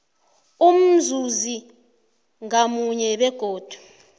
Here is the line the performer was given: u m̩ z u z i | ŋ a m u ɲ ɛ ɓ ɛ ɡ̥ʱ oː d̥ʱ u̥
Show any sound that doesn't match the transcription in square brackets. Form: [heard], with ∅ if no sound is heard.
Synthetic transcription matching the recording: u m̩ z u z i | ŋ a m u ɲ ɛ ɓ ɛ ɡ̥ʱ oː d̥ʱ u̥